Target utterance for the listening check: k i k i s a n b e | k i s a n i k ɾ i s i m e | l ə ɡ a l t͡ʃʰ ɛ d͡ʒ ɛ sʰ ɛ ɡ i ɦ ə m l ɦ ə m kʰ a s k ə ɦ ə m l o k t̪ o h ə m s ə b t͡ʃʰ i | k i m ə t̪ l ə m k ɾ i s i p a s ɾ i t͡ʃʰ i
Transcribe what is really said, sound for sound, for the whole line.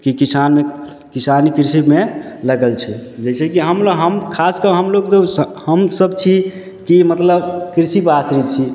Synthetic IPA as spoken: k i k i s a n m e | k i s a n i k ɾ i s i m e | l ə ɡ ə l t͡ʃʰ ɛ d͡ʒ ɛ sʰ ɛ k i ɦ ə m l ɦ ə m kʰ a s k ə ɦ ə m l o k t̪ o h ə m s ə b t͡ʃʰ i | k i m ə t̪ l ə b k ɾ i s i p a s ɾ i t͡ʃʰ i